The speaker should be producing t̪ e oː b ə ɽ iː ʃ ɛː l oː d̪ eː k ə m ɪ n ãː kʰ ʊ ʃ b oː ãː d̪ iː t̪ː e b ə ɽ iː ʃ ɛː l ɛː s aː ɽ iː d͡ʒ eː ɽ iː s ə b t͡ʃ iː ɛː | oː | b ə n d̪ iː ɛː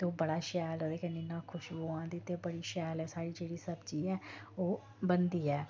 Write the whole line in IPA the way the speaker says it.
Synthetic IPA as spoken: t̪ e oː b ə ɽ aː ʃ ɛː l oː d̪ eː k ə n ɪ n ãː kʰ ʊ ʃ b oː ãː d̪ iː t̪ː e b ə ɽ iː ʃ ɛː l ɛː s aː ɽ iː d͡ʒ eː ɽ iː s ə b t͡ʃ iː ɛː | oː | b ə n d̪ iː ɛː

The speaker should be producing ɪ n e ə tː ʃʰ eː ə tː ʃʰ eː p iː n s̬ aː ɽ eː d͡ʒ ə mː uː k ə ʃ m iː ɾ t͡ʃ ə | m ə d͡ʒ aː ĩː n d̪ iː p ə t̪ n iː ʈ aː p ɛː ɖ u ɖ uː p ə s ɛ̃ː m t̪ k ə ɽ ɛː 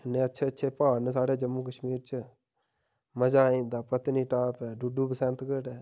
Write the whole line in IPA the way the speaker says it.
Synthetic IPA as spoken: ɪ n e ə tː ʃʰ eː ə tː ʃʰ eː p aː n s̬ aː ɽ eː d͡ʒ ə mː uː k ə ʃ m iː ɾ t͡ʃ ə | m ə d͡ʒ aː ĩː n d̪ aː p ə t̪ n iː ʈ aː p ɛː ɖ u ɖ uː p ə s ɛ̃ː n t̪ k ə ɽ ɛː

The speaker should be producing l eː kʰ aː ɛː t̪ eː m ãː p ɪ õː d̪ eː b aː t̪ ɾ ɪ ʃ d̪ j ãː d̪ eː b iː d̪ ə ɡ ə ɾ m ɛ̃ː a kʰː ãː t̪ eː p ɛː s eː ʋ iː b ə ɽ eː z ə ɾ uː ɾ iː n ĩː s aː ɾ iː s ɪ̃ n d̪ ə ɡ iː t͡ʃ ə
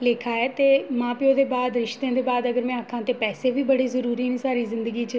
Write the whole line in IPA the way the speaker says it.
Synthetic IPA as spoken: l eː kʰ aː ɛː t̪ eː m ãː p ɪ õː d̪ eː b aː d̪ ɾ ɪ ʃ t̪ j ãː d̪ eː b aː d̪ ə ɡ ə ɾ m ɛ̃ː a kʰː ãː t̪ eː p ɛː s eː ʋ iː b ə ɽ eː z ə ɾ uː ɾ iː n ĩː s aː ɾ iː z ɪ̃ n d̪ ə ɡ iː t͡ʃ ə

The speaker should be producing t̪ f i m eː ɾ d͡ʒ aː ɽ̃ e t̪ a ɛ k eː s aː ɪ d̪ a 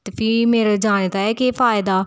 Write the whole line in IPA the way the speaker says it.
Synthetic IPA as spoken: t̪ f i m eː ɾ d͡ʒ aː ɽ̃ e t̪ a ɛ k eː f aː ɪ d̪ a

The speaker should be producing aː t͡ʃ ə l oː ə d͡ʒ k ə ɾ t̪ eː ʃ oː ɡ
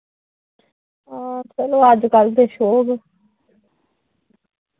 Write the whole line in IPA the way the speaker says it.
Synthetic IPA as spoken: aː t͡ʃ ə l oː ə d͡ʒ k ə l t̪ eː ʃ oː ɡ

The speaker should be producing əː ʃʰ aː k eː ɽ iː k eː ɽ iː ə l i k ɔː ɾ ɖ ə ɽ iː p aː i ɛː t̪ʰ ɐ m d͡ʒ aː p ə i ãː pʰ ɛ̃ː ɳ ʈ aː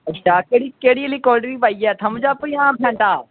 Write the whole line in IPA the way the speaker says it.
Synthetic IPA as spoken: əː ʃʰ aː k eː ɽ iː k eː ɽ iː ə l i k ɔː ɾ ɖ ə ɾ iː p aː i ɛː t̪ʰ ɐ m d͡ʒ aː p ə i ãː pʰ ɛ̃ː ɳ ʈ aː

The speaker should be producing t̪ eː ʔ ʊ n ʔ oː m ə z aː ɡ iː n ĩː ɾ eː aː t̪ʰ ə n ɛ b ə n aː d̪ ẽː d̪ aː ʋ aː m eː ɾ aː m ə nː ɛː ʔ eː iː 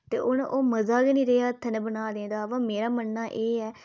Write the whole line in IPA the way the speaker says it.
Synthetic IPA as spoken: t̪ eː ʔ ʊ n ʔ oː m ə z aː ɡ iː n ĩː ɾ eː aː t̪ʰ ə n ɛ b ə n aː d̪ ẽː d̪ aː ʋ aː m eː ɾ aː m ə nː aː ʔ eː ɛː

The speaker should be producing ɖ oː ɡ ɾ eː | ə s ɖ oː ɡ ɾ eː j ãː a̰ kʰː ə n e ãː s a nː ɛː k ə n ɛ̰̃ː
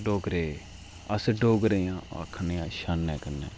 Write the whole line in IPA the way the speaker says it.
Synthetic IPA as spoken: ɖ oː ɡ ɾ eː | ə s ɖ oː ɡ ɾ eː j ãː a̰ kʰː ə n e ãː ʃ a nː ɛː k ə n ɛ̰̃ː

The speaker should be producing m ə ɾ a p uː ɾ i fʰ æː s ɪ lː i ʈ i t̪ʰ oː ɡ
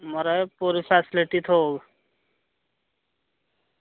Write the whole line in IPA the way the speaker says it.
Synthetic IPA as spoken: m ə ɾ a p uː ɾ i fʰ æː s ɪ l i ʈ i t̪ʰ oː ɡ

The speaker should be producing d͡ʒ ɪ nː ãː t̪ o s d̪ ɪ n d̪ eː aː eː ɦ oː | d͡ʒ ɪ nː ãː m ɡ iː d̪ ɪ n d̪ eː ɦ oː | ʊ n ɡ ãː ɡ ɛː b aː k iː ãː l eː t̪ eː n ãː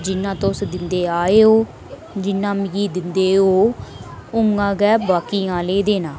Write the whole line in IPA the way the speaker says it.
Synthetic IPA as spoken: d͡ʒ ɪ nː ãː t̪ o s d̪ ɪ n d̪ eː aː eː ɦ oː | d͡ʒ ɪ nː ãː m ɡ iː d̪ ɪ n d̪ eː ɦ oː | ʊ ŋ ɡ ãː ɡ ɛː b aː k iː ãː l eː d̪ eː n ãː

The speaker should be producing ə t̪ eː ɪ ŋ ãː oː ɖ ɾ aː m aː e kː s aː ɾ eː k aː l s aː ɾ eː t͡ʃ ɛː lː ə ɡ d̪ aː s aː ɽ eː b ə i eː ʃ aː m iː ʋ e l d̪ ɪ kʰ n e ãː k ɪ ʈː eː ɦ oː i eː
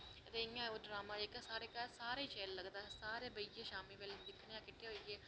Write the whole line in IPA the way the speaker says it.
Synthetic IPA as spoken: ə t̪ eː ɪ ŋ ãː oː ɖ ɾ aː m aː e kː s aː ɾ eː k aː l s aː ɾ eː t͡ʃ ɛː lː ə ɡ d̪ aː s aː ɾ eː b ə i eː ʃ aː m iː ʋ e l d̪ ɪ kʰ n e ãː k ɪ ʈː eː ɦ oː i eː

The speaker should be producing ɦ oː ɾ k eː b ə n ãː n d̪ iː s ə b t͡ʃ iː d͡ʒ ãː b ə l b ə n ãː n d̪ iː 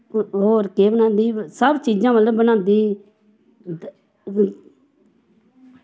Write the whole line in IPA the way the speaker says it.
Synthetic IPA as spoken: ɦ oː ɾ k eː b ə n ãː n d̪ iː s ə b t͡ʃ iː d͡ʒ ãː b ə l b ə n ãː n d̪ iː

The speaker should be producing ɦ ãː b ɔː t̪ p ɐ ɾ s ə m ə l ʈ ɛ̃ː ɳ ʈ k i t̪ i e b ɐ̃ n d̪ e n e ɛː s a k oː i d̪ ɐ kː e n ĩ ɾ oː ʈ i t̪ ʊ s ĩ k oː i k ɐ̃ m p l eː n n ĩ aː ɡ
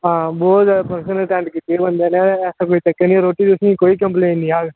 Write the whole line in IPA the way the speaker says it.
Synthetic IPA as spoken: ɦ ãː b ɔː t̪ p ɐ ɾ s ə n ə l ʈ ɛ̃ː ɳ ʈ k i t̪ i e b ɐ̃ n d̪ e n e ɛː s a k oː i t̪ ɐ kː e n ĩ ɾ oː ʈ i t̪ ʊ s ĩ k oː i k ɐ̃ m p l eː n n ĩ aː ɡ

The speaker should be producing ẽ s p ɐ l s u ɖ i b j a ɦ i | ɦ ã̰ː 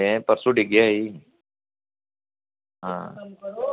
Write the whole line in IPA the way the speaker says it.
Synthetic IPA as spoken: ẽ p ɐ ɾ s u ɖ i ɡ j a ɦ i | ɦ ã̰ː

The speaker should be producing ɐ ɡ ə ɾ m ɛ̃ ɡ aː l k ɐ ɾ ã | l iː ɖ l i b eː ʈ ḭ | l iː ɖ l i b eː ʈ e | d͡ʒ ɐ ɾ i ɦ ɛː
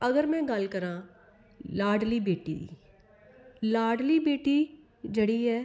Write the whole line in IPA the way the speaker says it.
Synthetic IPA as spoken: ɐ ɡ ə ɾ m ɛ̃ ɡ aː l k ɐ ɾ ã | l aː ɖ l i b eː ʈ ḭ | l aː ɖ l i b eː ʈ i | d͡ʒ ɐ ɽ i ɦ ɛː

